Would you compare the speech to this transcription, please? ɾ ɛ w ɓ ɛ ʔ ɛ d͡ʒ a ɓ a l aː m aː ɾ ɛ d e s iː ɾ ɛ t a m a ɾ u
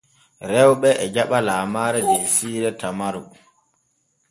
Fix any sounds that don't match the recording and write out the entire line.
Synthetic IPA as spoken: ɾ ɛ w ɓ ɛ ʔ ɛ d͡ʒ a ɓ a l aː m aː ɾ ɛ d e s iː ɾ ɛ t a m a ɾ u